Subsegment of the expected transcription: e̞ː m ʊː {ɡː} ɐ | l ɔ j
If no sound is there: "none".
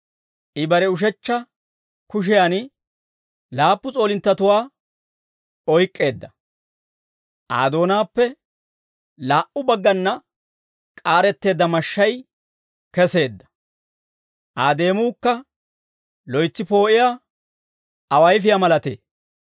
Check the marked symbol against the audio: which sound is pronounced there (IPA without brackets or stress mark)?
kː